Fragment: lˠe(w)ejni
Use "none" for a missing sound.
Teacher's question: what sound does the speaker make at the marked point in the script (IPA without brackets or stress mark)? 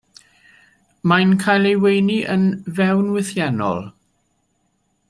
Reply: w